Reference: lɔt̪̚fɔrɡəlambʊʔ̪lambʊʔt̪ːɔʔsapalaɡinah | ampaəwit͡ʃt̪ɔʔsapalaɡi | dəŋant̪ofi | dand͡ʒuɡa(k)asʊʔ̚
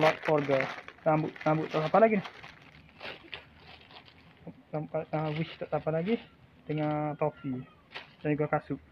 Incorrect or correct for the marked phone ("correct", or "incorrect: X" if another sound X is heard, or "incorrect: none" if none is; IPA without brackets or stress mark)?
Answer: correct